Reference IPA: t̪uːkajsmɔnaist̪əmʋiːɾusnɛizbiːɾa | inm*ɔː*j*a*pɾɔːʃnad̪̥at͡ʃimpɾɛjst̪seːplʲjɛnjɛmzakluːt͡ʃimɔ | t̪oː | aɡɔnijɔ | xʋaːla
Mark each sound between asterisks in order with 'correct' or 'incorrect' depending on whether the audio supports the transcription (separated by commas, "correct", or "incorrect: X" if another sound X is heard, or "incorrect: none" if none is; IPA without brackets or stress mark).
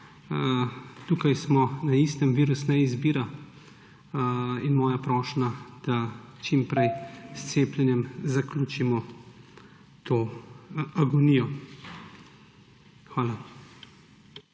correct, correct